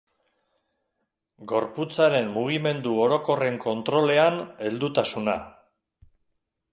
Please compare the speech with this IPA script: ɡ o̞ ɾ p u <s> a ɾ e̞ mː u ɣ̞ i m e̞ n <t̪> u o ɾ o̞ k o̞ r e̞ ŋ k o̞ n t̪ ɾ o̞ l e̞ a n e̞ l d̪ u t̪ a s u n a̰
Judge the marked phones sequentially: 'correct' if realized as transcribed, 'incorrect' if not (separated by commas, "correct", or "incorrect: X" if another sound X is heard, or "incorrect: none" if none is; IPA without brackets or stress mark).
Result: incorrect: t͡s, incorrect: d̪